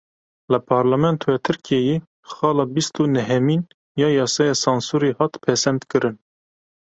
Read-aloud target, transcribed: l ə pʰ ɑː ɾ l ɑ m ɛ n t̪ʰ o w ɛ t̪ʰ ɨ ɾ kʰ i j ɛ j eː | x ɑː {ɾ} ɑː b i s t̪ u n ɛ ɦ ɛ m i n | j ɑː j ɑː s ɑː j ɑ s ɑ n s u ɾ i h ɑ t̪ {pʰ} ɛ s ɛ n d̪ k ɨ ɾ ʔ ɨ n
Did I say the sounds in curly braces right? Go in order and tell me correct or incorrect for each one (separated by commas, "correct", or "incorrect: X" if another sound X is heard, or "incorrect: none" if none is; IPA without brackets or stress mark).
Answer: incorrect: l, correct